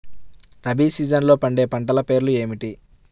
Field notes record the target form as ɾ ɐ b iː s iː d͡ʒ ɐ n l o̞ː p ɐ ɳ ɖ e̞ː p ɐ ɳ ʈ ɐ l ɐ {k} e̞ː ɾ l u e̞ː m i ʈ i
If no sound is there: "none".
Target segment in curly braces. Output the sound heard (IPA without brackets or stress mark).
p